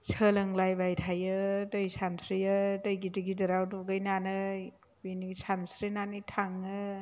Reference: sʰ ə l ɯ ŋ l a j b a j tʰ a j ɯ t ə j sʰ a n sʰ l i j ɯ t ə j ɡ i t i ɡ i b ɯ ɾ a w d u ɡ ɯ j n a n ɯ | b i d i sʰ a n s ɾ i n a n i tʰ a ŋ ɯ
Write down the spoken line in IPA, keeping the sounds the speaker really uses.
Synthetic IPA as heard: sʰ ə l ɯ ŋ l a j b a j tʰ a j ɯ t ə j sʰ a n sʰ ɾ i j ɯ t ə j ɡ i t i ɡ i d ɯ ɾ a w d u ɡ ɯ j n a n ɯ | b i n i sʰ a n s ɾ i n a n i tʰ a ŋ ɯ